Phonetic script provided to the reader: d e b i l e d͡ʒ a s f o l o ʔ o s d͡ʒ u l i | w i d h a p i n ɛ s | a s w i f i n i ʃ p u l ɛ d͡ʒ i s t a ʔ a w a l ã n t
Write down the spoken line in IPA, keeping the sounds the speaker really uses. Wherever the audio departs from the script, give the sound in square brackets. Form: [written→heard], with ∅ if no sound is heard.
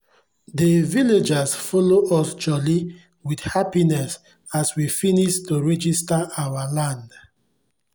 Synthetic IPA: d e [b→v] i l e d͡ʒ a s f [o→ɔ] l o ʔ [o→ɔ] s d͡ʒ [u→ɔ] l i | w i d h a p i n ɛ s | a s w i f i n i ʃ [p→t] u [l→ɹ] ɛ d͡ʒ i s t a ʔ a w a l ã n [t→d]